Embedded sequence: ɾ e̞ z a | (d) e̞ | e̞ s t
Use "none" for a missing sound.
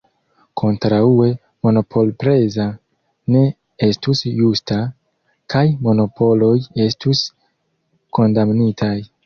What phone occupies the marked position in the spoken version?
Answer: n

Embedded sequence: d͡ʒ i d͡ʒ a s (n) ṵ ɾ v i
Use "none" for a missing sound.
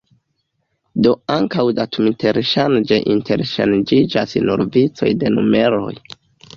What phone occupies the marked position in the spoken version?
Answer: n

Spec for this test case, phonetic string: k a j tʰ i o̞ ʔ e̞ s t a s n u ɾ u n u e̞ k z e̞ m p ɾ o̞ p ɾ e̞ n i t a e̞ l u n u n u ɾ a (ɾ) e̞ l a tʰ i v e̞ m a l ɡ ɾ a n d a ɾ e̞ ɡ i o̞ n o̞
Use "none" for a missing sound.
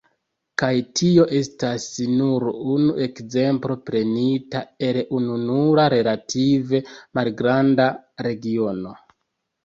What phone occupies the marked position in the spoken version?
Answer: ɾ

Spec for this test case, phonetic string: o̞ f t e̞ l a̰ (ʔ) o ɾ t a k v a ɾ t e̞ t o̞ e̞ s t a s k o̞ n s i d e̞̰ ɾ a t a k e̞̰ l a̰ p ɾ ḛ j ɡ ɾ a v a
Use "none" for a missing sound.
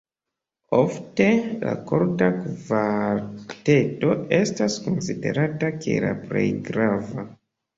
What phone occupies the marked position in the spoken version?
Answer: k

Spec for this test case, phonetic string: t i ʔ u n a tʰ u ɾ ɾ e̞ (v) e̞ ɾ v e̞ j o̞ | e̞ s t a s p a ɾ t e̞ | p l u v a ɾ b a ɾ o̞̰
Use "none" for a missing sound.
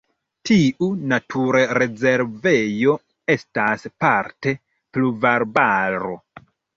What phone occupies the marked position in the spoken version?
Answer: z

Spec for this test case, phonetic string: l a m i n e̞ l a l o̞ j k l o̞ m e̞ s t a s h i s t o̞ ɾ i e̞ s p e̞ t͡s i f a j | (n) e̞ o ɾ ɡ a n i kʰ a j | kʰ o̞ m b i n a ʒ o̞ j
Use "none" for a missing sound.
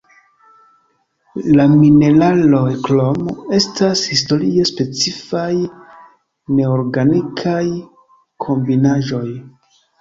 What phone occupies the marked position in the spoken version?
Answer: n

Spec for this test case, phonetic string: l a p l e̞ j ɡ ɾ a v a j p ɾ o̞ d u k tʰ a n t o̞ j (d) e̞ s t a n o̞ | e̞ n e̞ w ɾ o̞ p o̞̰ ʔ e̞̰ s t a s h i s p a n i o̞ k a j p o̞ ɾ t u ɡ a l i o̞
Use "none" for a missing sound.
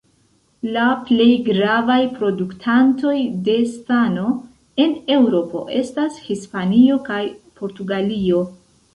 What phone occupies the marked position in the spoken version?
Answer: d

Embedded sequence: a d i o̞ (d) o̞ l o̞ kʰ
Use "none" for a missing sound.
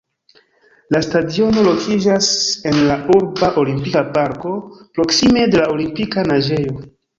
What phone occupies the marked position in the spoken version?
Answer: n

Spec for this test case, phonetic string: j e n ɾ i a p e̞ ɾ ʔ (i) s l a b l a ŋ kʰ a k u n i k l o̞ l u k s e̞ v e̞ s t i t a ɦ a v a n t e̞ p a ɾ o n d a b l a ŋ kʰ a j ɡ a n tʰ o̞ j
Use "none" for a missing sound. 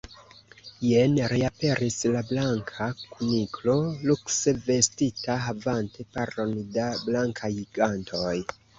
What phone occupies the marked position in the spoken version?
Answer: i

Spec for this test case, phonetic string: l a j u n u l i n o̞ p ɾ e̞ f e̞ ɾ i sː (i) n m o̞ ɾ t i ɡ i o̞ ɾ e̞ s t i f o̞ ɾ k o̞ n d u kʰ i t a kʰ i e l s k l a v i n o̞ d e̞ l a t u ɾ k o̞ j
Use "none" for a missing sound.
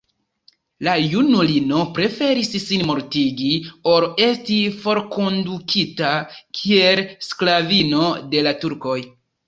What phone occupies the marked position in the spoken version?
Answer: i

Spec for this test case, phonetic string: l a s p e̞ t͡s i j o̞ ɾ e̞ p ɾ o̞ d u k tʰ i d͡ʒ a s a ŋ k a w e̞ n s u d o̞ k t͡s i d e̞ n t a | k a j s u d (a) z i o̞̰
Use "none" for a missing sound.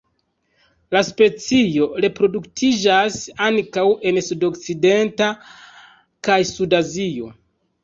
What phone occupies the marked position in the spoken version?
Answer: a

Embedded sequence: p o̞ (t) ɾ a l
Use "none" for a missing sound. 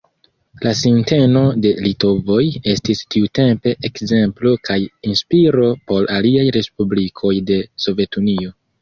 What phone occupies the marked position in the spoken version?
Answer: none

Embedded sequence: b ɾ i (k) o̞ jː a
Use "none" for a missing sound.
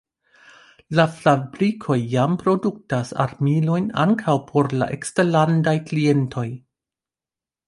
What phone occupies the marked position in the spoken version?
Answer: kʰ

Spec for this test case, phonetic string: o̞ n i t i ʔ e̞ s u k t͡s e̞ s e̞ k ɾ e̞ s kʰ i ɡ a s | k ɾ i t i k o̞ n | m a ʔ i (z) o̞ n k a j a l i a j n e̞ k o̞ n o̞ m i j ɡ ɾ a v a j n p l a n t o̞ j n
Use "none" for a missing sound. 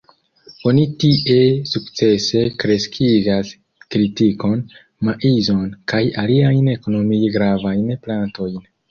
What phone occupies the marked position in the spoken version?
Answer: z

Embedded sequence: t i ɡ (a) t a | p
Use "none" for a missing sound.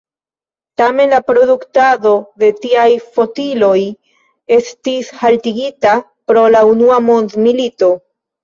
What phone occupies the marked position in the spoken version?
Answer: i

